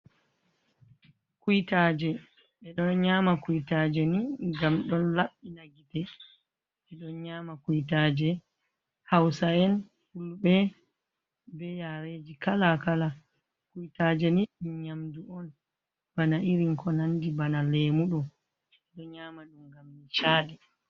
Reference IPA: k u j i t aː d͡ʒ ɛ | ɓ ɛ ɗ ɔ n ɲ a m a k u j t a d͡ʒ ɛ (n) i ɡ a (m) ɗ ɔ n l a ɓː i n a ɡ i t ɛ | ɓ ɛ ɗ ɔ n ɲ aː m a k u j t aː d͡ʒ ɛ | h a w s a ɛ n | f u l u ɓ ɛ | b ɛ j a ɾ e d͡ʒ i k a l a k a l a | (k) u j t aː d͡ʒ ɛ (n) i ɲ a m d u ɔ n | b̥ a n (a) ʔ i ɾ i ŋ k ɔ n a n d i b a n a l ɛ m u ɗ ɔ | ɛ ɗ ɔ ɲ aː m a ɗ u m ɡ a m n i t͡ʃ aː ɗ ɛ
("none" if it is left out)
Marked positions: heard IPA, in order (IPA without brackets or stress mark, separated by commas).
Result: n, m, k, n, a